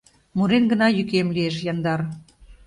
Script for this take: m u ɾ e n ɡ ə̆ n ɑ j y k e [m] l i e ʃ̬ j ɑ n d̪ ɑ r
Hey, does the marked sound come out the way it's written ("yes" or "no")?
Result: yes